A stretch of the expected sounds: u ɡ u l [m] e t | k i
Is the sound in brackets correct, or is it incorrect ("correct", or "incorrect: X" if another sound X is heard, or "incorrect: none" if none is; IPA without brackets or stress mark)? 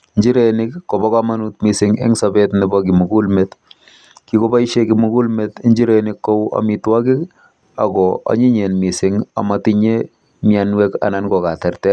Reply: correct